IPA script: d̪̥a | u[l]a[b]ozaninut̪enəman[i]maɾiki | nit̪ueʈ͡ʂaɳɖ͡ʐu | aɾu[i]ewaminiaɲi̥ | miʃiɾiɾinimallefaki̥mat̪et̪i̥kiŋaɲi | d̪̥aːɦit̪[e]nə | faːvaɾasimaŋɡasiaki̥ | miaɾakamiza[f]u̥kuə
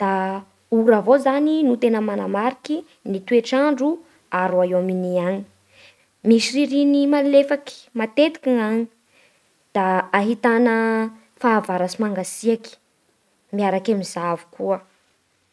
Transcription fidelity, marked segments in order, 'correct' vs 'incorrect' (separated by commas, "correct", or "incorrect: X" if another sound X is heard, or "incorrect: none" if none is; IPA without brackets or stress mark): incorrect: ɾ, incorrect: v, incorrect: a, incorrect: a, incorrect: a, incorrect: v